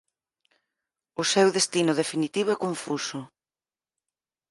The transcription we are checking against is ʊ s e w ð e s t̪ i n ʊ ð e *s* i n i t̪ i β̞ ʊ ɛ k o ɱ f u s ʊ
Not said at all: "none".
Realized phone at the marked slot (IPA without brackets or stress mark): f